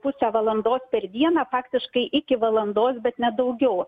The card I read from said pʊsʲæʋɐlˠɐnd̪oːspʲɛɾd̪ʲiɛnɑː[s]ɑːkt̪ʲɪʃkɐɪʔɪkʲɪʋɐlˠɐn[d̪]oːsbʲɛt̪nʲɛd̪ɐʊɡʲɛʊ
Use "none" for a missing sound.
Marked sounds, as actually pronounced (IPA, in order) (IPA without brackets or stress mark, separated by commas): f, d̪